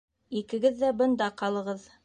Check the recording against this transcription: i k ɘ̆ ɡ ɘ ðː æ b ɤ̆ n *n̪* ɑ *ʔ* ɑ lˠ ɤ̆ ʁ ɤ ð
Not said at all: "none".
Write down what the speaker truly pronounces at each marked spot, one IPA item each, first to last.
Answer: d̪, q

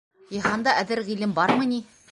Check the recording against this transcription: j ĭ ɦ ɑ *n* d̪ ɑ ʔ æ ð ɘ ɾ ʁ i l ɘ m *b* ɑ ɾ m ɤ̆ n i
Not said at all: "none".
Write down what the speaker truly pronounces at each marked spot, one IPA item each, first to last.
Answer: n, b

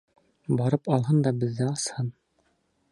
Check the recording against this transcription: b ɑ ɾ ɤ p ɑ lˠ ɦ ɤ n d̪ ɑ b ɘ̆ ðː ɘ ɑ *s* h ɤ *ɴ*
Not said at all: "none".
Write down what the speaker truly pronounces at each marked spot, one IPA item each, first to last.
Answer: s, n

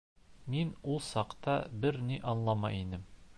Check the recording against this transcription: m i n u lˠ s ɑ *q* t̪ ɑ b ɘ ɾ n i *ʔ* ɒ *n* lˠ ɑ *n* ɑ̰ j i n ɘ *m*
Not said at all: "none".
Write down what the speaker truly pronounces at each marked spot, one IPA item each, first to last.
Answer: q, ʔ, n, m, m

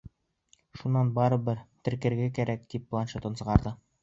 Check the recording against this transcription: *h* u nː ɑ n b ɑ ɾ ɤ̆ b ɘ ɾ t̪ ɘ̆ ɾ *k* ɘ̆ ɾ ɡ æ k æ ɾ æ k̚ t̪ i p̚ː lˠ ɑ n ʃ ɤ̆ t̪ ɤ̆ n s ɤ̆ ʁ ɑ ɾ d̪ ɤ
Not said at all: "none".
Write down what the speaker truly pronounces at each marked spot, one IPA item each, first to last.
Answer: ʃ, k

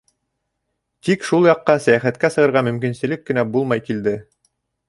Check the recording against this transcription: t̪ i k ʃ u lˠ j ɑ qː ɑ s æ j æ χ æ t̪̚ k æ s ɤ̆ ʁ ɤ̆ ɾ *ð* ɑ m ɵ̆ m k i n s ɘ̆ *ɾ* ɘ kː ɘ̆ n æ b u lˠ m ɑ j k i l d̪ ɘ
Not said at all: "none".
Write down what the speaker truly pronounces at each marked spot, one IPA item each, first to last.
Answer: ʁ, l

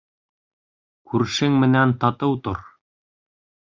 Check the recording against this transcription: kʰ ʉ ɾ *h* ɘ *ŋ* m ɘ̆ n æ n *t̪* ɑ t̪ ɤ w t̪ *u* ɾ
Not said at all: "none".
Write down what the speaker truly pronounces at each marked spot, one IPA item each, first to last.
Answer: ʃ, ŋ, t̪, o

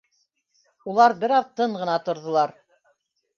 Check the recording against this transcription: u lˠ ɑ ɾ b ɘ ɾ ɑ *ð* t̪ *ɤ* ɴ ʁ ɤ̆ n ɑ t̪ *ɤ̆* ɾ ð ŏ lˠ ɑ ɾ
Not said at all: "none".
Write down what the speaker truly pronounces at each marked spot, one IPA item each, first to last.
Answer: ð, ɤ, ŏ

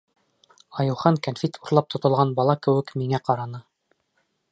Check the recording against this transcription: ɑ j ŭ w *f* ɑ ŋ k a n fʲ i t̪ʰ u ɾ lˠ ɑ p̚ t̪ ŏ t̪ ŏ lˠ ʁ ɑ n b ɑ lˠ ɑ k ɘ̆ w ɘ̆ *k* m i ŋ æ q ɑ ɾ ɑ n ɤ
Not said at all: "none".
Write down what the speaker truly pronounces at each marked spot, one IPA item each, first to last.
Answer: χ, k

